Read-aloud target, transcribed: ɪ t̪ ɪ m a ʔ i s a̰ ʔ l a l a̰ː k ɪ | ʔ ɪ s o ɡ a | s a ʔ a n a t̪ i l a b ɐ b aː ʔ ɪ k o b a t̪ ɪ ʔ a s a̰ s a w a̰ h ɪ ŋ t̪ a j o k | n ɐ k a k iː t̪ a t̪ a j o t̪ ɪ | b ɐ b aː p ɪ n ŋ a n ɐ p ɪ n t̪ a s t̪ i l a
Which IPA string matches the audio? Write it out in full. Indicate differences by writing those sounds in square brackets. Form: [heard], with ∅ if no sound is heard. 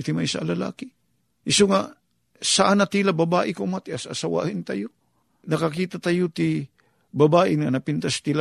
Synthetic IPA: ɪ t̪ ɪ m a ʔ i s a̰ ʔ l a l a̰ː k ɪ | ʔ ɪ s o [ŋ] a | s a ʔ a n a t̪ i l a b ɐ b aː ʔ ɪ k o [m] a t̪ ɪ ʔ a s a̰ s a w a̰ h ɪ [n] t̪ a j o [∅] | n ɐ k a k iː t̪ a t̪ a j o t̪ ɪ | b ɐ b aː [ʔ] ɪ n ŋ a n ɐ p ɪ n t̪ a s t̪ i l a